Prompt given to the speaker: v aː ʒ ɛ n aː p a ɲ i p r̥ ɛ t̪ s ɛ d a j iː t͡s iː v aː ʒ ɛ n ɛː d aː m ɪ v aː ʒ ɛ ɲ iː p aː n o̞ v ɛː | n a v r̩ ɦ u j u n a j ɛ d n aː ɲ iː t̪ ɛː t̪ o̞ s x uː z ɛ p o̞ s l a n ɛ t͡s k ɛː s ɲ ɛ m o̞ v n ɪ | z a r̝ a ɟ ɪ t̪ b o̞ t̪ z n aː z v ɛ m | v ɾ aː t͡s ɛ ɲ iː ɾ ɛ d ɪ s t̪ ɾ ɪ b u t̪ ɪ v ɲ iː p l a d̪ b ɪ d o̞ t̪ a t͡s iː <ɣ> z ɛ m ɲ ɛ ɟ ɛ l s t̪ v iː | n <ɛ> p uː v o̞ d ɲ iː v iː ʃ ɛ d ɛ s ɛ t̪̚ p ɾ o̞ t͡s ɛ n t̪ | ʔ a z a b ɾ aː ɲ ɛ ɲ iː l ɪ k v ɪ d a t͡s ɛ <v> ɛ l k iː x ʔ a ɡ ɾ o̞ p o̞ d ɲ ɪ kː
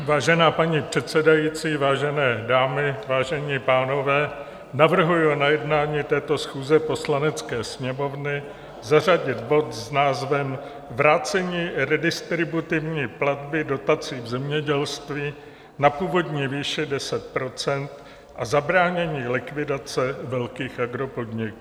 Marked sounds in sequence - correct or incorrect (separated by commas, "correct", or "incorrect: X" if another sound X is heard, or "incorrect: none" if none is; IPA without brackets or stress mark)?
incorrect: v, incorrect: a, correct